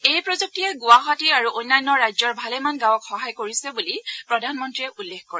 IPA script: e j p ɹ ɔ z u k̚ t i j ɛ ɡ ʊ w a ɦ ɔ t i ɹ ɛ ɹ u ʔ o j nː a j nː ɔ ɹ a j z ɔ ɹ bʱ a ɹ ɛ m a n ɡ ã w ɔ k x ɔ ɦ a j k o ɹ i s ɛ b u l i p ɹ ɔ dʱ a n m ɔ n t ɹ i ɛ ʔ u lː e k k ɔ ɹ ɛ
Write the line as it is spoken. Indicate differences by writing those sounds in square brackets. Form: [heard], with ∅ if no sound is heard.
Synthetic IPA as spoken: e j p ɹ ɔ z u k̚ t i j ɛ ɡ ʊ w a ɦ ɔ t i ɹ [a] ɹ u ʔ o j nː a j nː ɔ ɹ a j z ɔ ɹ bʱ a [l] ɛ m a n ɡ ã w ɔ k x ɔ ɦ a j k o ɹ i s ɛ b u l i p ɹ ɔ dʱ a n m ɔ n t ɹ i ɛ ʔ u lː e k k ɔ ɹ ɛ

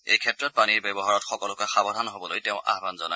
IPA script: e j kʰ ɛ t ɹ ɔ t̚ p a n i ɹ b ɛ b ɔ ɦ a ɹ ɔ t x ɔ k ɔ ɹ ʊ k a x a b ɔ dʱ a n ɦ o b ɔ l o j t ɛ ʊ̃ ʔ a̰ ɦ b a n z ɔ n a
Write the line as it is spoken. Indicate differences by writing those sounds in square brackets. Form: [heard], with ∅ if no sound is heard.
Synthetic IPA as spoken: e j kʰ ɛ t ɹ ɔ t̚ p a n i ɹ b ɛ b ɔ ɦ a ɹ ɔ t x ɔ k ɔ [l] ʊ k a x a b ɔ dʱ a n ɦ o b ɔ l o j t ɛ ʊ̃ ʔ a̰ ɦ b a n z ɔ n a

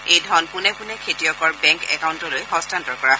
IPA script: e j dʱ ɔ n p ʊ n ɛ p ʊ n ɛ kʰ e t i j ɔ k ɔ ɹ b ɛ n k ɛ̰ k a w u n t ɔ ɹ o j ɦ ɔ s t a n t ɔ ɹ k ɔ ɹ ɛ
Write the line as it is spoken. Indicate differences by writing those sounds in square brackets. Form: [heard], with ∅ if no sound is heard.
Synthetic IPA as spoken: e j dʱ ɔ n p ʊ n ɛ p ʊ n ɛ kʰ e t i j ɔ k ɔ ɹ b ɛ [ŋ] k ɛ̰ k a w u n t ɔ [l] o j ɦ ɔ s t a n t ɔ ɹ k ɔ ɹ [a]

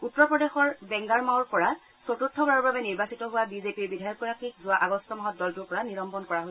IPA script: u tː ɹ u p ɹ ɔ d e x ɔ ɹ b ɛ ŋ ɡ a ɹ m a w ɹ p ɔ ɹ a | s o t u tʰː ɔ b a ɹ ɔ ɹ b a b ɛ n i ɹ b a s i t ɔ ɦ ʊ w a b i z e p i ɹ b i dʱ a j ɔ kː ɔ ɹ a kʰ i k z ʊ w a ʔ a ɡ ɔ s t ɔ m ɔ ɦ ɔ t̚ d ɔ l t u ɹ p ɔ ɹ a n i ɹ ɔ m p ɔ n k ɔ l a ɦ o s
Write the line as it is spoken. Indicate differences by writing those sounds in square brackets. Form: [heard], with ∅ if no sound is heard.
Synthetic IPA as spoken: u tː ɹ [ɔ] p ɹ ɔ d e x ɔ ɹ b ɛ ŋ ɡ a ɹ m a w ɹ p ɔ ɹ a | s o t u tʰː ɔ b a ɹ ɔ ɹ b a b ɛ n i ɹ b a s i t ɔ ɦ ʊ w a b i z e p i ɹ b i dʱ a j ɔ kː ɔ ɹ a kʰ i k z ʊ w a ʔ a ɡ ɔ s t ɔ m ɔ ɦ ɔ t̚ d ɔ l t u ɹ p ɔ ɹ a n i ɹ ɔ m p ɔ n k ɔ [ɹ] a ɦ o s

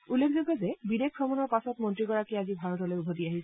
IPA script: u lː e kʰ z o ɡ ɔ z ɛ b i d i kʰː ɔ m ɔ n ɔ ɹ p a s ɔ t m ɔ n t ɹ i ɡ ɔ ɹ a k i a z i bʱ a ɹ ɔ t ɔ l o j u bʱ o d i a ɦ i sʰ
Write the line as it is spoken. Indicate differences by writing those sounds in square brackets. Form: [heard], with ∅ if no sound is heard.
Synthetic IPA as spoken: u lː e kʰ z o ɡ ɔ z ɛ b i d [e] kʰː ɔ m ɔ n ɔ ɹ p a s ɔ t m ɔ n t ɹ i ɡ ɔ ɹ a k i a z i bʱ a ɹ ɔ t ɔ l o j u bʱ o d i a ɦ i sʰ

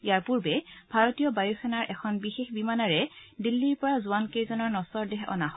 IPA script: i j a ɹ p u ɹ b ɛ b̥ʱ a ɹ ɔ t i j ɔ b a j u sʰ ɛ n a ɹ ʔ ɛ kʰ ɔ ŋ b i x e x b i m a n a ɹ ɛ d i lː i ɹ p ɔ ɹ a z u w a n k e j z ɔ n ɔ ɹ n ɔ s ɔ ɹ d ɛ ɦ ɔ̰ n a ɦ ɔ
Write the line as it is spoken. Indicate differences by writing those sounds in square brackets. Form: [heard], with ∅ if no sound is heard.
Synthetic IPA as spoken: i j a ɹ p u ɹ b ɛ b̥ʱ a ɹ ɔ t i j ɔ b a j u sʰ ɛ n a ɹ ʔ ɛ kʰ ɔ [n] b i x e x b i m a n a ɹ ɛ d i lː i ɹ p ɔ ɹ a z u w a n k e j z ɔ n ɔ ɹ n ɔ s ɔ ɹ d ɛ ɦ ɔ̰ n a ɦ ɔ

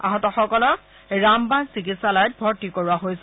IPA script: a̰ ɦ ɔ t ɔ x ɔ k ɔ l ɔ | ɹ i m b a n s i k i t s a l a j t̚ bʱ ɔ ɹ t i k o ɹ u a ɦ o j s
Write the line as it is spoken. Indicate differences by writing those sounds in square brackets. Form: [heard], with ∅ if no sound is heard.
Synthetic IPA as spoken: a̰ ɦ ɔ t ɔ x ɔ k ɔ l ɔ | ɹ [a] m b a n s i k i t s a l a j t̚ bʱ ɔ ɹ t i k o ɹ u a ɦ o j s

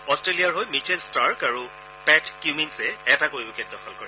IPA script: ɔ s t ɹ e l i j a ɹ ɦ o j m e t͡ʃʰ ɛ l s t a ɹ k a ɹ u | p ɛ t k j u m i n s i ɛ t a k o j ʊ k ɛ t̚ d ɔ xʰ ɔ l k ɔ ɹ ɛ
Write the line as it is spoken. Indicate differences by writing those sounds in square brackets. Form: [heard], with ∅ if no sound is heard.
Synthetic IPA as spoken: ɔ s t ɹ e l i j a ɹ ɦ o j m [i] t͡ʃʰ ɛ l s t a ɹ k a ɹ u | p ɛ t k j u m i n s [ɛ] ɛ t a k o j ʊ k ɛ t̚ d ɔ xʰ ɔ l k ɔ ɹ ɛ

